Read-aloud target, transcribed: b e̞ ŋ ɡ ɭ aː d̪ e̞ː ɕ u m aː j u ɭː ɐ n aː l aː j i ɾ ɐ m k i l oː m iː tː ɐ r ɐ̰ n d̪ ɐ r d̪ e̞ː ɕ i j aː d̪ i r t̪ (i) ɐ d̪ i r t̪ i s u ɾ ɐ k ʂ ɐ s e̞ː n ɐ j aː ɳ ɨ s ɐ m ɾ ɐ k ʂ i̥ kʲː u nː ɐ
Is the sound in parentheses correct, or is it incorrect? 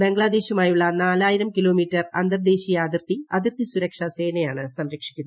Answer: correct